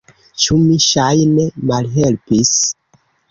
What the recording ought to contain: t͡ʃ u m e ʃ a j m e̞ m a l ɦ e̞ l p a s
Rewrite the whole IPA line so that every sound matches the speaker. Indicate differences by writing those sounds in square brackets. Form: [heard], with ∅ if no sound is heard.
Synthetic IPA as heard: t͡ʃ u m [i] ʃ a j [n] e̞ m a l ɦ e̞ l p [i] s